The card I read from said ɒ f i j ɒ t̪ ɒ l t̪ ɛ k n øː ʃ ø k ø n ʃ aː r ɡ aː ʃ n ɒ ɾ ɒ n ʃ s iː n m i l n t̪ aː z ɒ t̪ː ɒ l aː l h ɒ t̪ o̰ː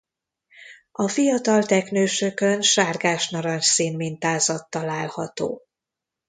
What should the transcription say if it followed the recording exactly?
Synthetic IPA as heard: ɒ f i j ɒ t̪ ɒ l t̪ ɛ k n øː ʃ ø k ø n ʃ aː r ɡ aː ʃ n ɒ ɾ ɒ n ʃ s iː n m i n t̪ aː z ɒ t̪ː ɒ l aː l h ɒ t̪ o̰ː